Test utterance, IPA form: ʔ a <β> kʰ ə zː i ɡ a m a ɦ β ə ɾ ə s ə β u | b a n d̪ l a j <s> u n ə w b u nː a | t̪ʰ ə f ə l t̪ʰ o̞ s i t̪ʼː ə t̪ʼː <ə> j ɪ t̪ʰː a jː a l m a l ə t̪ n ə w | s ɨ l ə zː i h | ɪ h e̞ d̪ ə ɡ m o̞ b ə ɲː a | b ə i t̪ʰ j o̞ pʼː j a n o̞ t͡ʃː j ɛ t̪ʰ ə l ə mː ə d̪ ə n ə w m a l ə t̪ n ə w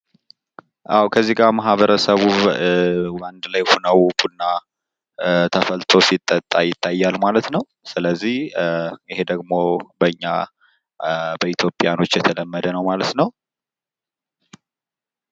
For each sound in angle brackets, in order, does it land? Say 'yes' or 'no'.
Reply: no, no, no

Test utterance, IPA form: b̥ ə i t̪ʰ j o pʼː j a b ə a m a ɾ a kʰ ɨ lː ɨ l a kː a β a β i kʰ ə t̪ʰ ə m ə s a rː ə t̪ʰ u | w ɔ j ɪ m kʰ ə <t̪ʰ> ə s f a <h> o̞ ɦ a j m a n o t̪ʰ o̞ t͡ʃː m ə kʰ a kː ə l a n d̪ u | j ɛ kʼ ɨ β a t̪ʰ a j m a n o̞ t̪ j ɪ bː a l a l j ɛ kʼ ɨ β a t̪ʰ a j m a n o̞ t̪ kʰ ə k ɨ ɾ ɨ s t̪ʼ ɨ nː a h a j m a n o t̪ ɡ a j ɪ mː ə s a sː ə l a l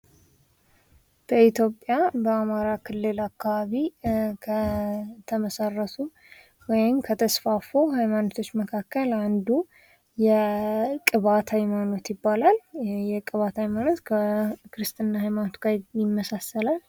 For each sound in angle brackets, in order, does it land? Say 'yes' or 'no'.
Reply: yes, no

